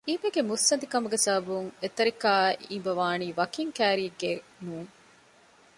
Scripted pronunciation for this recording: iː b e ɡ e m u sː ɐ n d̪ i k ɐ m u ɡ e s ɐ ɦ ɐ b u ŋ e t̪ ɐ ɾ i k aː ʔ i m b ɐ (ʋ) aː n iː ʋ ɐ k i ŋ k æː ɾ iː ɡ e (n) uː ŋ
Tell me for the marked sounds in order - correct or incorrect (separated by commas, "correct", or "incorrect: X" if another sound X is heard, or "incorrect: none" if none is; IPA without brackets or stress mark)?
correct, correct